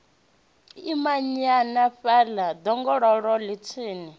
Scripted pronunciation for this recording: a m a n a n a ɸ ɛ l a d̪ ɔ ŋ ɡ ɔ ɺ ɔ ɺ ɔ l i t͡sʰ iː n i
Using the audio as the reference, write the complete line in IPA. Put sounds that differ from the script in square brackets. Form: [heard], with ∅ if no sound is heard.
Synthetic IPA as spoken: [i] m a [ɲ] a n a ɸ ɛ l a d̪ ɔ ŋ ɡ ɔ ɺ ɔ ɺ ɔ l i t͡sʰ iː n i